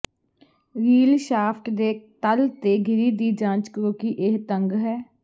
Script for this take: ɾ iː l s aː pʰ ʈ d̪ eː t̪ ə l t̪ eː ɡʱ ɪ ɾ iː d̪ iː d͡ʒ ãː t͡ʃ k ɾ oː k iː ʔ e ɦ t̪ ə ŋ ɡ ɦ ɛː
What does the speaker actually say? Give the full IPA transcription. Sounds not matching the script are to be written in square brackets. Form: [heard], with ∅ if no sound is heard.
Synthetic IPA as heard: ɾ iː l [ʃ] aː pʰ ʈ d̪ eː t̪ ə l t̪ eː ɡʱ ɪ ɾ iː d̪ iː d͡ʒ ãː t͡ʃ k ɾ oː k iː ʔ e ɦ t̪ ə ŋ ɡ ɦ ɛː